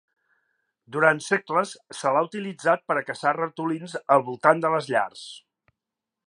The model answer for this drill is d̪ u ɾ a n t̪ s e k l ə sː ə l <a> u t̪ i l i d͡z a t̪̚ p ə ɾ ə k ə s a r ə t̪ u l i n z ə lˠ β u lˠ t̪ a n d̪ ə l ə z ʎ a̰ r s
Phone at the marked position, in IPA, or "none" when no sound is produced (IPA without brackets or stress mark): a